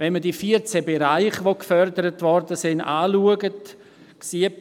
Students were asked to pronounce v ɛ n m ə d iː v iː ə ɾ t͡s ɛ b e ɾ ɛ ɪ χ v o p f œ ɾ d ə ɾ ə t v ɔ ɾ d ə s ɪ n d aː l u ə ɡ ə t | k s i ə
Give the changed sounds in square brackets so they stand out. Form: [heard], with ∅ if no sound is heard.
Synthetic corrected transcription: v ɛ n m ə d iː [f] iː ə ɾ t͡s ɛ b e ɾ [a] ɪ χ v o [k] f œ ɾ d ə ɾ ə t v ɔ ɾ d ə s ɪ n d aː l u ə ɡ ə t | k s i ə